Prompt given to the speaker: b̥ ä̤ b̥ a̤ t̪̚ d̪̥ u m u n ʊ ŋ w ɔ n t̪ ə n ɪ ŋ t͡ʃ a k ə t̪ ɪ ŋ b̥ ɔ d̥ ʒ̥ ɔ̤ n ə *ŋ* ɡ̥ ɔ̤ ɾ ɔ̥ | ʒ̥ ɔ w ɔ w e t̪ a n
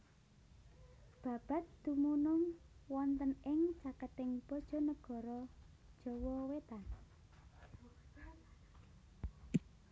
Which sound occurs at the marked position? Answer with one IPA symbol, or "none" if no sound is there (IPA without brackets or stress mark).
none